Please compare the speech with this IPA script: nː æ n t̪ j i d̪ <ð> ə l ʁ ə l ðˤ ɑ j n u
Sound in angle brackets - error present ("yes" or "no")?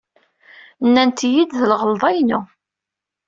no